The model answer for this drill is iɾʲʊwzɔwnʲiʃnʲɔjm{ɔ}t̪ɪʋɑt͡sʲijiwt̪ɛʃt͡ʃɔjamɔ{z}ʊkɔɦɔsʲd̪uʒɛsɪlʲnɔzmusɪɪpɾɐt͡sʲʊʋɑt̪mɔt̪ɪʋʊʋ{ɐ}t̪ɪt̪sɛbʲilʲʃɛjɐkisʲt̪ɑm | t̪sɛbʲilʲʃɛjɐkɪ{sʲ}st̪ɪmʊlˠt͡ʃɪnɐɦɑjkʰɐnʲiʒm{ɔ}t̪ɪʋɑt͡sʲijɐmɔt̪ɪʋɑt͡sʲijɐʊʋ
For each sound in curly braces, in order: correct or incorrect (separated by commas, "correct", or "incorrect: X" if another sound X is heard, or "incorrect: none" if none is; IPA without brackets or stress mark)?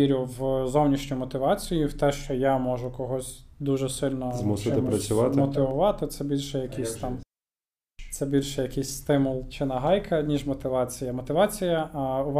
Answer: correct, incorrect: ʒ, incorrect: ɑ, correct, correct